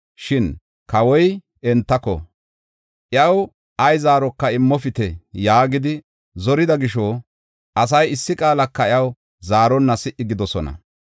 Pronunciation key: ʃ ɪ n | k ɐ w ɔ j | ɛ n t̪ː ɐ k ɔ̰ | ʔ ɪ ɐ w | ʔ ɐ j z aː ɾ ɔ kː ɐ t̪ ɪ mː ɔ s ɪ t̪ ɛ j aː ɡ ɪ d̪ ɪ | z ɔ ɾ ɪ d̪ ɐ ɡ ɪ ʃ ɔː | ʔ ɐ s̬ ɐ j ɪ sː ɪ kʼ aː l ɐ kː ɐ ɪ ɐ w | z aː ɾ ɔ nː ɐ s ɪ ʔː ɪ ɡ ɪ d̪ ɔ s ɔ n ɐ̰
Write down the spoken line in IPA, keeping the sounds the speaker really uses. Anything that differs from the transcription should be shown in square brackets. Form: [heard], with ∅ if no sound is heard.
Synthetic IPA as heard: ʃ ɪ n | k ɐ w ɔ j | ɛ n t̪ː ɐ k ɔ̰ | ʔ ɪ ɐ w | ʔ ɐ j z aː ɾ ɔ kː ɐ [∅] ɪ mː ɔ [f] ɪ t̪ ɛ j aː ɡ ɪ d̪ ɪ | z ɔ ɾ ɪ d̪ ɐ ɡ ɪ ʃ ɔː | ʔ ɐ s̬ ɐ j ɪ sː ɪ kʼ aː l ɐ kː ɐ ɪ ɐ w | z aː ɾ ɔ nː ɐ s ɪ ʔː ɪ ɡ ɪ d̪ ɔ s ɔ n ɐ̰